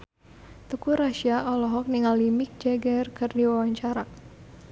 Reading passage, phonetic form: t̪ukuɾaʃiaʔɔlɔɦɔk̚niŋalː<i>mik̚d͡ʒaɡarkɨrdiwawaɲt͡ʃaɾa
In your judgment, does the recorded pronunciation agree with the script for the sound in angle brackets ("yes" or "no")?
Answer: yes